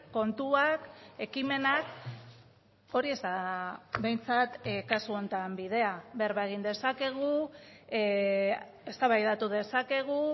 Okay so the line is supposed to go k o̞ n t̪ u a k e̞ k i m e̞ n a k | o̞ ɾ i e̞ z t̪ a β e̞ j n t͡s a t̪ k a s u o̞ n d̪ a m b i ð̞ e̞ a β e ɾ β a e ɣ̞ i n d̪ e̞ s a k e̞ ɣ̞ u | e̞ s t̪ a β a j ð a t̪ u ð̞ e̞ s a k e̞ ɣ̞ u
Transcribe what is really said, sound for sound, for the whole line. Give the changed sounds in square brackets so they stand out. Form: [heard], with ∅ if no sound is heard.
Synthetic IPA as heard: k o̞ n t̪ u a k e̞ k i m e̞ n a k | o̞ ɾ i e̞ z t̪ a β e̞ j n t͡s a t̪ k a s u o̞ n [t̪] a m b i ð̞ e̞ a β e ɾ β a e ɣ̞ i n d̪ e̞ s a k e̞ ɣ̞ u | e̞ s t̪ a β a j ð a t̪ u ð̞ e̞ s a k e̞ ɣ̞ u